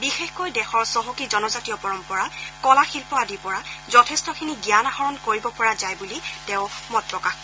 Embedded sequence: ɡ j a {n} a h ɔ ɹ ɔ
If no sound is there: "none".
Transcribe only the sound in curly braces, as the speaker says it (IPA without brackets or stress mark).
n